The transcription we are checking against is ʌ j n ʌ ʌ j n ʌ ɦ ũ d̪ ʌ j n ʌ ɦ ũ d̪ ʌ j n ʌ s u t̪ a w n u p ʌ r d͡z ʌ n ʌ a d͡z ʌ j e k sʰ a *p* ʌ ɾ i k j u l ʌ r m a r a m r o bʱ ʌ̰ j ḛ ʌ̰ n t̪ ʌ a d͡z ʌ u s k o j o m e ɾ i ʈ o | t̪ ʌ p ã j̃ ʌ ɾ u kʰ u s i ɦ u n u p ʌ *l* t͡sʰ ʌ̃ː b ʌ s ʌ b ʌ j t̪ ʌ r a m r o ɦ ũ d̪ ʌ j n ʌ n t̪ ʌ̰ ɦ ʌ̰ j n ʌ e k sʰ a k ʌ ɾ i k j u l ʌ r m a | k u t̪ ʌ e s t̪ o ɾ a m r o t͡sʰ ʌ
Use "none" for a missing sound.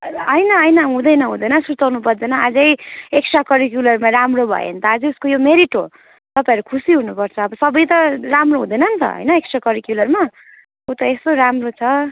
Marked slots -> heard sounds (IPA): k, r

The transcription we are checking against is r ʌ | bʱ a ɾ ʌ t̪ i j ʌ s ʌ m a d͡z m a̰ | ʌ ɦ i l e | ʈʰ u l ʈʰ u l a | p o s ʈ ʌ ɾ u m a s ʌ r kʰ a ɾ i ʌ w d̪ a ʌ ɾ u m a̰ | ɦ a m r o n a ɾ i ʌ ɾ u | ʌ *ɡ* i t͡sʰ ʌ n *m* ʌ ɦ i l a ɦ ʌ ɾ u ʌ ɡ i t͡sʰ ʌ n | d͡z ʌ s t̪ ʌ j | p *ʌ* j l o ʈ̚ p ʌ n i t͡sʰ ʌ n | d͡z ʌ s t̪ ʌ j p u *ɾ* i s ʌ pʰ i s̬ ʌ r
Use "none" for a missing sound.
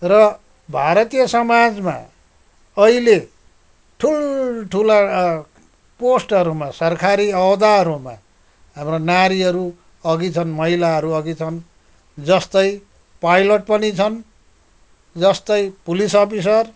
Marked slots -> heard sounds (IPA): ɡ, m, a, l

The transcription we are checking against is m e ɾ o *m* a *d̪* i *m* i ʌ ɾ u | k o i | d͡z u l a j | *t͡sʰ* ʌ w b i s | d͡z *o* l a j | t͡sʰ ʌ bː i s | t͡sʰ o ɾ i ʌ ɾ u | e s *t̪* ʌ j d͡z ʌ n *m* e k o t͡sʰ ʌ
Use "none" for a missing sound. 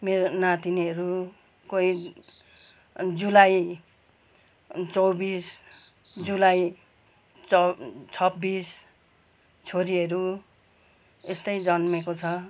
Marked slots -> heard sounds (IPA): n, t̪, n, t͡s, u, t̪, m

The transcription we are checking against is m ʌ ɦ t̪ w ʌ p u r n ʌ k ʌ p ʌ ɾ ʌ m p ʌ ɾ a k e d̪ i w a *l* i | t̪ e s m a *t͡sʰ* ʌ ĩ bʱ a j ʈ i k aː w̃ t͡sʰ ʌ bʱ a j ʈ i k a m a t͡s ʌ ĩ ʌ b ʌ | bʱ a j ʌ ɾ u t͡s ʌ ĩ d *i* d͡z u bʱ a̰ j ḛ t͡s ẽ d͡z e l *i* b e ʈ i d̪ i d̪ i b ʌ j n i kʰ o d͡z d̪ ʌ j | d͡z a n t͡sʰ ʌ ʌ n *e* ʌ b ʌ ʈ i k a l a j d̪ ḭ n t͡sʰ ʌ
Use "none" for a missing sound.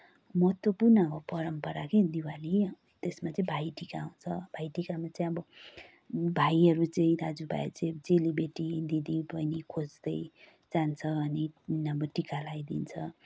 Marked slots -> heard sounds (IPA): l, t͡s, a, i, i

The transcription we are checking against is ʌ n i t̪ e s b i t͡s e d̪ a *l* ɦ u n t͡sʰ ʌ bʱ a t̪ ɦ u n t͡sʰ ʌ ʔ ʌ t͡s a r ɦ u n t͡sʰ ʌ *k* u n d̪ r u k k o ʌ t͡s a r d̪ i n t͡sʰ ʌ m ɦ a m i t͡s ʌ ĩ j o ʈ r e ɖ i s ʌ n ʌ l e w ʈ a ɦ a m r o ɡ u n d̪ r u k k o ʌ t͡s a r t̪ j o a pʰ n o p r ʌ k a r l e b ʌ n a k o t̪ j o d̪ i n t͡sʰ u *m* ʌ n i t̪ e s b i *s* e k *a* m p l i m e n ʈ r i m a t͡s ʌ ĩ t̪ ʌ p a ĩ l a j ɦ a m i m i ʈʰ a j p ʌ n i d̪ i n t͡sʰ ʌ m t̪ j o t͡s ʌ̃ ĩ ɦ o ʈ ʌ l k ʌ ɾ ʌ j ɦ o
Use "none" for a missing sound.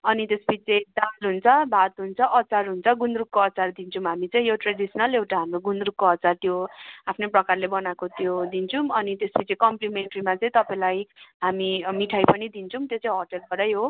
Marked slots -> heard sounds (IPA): l, ɡ, m, t͡s, ʌ

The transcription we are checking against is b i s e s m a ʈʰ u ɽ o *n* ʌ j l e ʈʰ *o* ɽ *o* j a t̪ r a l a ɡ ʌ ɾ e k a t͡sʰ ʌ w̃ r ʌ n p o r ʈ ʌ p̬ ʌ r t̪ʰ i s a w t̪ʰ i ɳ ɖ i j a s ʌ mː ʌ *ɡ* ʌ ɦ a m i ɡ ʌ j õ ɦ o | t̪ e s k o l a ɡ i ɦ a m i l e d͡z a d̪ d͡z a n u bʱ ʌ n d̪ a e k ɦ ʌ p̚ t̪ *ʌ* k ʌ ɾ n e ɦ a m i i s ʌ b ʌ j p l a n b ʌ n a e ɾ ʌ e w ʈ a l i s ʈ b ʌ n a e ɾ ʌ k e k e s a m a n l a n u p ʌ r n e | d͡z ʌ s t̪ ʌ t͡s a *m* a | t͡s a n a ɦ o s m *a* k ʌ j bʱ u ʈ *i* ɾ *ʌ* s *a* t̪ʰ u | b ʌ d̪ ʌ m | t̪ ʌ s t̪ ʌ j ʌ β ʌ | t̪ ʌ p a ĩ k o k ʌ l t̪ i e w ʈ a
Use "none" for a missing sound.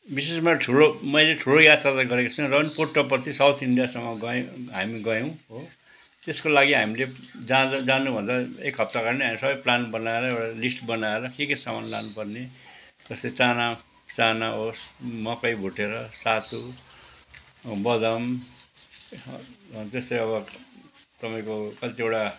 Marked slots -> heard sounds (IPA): m, u, o, ɡ, a, n, ʌ, e, ʌ, a

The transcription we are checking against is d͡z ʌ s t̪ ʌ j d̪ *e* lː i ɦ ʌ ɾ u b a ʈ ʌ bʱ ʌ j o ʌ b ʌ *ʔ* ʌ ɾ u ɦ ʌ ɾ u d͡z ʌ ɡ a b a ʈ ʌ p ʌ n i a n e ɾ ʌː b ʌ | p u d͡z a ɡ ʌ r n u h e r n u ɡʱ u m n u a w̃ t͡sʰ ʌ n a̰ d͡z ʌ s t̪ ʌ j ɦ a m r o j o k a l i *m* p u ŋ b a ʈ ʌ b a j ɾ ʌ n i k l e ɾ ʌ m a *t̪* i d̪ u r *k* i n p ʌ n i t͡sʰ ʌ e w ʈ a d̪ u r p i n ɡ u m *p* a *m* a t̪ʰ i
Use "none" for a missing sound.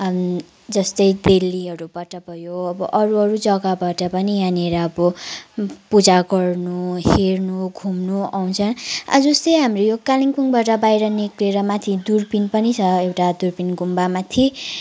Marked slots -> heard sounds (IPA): e, ʔ, ŋ, t̪ʰ, p, b, m

